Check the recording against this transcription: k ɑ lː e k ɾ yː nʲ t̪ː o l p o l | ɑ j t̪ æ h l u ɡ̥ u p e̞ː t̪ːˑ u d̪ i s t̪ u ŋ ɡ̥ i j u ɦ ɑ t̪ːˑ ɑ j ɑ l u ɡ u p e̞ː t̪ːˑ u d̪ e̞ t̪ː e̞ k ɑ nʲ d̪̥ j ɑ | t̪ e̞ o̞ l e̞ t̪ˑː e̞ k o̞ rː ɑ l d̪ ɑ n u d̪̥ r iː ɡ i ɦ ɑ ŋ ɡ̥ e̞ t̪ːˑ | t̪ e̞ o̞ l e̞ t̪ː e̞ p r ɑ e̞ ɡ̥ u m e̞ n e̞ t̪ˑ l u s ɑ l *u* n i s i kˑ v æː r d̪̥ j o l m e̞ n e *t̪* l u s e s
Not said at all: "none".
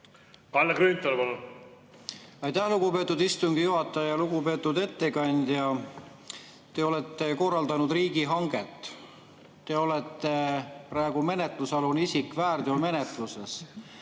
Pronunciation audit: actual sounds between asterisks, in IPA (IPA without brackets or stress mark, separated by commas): u, t̪